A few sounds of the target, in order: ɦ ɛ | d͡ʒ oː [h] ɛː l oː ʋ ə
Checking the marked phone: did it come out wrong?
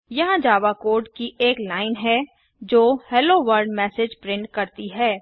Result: no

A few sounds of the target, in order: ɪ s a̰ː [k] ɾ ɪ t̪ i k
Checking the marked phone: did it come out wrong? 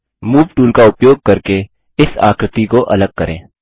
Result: no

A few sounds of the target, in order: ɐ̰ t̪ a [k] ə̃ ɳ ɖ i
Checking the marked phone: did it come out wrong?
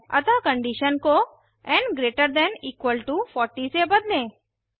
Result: no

